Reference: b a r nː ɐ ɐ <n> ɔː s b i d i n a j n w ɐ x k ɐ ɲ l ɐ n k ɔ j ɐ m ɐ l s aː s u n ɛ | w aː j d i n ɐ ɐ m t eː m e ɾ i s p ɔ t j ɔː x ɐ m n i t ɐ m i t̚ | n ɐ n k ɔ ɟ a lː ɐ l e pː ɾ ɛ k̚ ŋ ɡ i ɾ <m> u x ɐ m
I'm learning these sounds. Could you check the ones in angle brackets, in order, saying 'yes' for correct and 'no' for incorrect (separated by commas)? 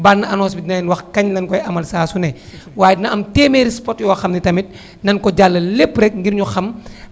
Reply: yes, no